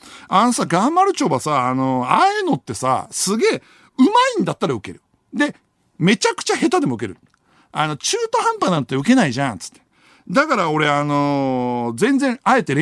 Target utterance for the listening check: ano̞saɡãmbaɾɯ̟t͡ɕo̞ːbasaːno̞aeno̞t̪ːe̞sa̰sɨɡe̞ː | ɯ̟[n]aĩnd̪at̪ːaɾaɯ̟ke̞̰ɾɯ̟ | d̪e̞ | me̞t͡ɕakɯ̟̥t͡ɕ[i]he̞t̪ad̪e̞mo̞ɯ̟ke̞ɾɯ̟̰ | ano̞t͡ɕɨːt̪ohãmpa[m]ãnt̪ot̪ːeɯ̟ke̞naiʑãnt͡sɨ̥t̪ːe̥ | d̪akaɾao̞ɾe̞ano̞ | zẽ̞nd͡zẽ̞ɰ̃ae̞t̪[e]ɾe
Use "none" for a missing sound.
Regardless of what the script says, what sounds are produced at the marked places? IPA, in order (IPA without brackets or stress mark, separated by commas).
m, a, n, e